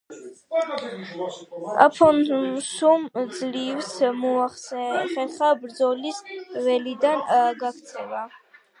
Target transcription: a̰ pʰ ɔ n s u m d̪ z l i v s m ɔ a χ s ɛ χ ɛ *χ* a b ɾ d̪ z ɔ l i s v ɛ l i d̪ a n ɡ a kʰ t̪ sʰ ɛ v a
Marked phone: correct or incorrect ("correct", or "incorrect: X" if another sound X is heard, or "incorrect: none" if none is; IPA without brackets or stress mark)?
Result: correct